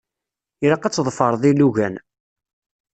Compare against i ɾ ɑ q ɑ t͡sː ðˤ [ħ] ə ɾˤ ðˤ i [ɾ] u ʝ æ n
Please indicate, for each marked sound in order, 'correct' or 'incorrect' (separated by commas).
incorrect, incorrect